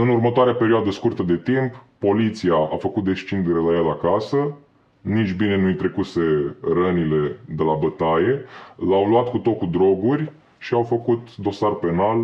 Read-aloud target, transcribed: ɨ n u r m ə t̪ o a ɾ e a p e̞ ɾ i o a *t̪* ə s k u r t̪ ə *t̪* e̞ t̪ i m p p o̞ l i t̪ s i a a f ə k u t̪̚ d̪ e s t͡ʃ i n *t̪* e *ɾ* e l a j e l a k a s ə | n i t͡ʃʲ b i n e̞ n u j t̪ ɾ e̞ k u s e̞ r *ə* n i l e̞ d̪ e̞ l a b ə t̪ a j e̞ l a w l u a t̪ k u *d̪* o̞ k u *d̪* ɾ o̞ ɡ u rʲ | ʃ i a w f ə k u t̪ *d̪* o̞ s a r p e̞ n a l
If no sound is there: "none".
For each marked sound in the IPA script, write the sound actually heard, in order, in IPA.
d̪, d̪, d̪, ɾ, ə, t̪, d̪, d̪

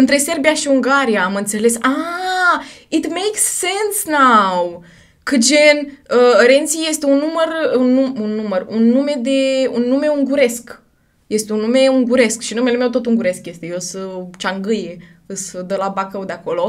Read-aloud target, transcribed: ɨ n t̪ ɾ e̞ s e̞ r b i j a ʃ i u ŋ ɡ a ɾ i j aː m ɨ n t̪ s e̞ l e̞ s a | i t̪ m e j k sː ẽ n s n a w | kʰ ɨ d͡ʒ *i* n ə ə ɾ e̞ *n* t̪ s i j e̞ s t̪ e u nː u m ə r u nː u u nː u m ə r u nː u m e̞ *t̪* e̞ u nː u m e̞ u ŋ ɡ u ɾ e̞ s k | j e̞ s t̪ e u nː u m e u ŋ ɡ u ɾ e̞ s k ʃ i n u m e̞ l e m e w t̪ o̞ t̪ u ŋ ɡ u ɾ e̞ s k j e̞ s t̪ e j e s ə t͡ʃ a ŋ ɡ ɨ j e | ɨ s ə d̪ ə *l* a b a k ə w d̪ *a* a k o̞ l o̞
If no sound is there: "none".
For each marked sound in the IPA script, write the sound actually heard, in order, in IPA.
e, n, d̪, l, e

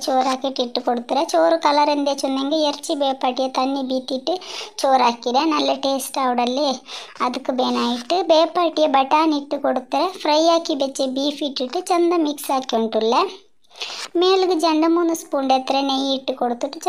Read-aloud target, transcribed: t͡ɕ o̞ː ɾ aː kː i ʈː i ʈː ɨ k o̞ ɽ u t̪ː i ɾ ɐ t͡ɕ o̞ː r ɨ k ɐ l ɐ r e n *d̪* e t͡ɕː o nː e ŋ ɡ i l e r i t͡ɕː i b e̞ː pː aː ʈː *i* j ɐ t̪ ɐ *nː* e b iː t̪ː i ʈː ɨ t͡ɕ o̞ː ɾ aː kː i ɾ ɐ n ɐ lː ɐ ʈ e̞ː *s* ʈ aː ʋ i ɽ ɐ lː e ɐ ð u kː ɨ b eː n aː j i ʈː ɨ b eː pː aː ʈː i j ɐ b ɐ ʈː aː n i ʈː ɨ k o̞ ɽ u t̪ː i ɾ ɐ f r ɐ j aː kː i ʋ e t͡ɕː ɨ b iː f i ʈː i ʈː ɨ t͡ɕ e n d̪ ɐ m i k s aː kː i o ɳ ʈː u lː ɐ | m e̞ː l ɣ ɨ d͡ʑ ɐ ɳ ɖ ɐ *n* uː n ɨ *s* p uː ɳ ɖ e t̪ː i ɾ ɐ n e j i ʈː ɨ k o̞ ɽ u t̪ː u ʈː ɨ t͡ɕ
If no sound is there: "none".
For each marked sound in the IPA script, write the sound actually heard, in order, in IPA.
d̪, i, nː, s, m, s

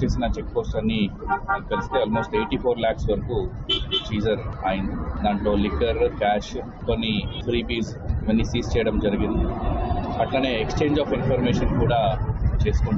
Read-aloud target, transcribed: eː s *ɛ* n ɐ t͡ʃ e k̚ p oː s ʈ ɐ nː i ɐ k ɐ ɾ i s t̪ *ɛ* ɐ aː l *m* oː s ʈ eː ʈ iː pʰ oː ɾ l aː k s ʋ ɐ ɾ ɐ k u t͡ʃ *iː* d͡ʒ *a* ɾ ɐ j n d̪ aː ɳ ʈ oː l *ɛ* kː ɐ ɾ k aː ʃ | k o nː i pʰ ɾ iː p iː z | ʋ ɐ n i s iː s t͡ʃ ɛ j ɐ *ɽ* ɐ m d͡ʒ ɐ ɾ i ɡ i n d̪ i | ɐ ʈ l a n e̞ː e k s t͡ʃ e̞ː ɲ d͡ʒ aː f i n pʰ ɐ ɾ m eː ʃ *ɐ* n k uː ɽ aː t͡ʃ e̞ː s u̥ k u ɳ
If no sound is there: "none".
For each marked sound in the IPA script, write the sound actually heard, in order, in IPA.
i, e, m, iː, ɐ, i, ɽ, ɐ

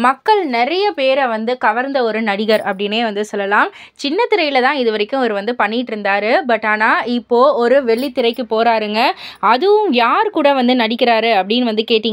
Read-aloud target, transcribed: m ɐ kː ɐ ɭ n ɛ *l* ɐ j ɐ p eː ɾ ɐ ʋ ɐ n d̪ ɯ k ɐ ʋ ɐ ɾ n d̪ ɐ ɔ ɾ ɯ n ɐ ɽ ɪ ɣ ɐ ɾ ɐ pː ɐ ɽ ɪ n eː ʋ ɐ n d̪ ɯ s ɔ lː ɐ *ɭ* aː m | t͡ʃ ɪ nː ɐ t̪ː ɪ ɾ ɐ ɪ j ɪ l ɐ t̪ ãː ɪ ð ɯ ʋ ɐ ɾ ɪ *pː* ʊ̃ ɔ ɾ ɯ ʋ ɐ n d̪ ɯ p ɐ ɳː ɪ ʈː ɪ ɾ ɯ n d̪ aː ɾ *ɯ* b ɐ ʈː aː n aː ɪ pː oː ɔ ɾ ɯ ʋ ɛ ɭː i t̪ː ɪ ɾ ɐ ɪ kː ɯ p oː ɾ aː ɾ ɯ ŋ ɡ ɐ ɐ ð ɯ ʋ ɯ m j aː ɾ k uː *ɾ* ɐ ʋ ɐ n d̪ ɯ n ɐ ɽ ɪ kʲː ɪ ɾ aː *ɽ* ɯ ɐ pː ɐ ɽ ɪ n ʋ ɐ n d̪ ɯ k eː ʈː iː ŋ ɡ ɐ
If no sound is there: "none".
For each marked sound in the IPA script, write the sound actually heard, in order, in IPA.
ɾ, l, kː, ɯ, ɽ, ɾ

